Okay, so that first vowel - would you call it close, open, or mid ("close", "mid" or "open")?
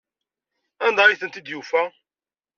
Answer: open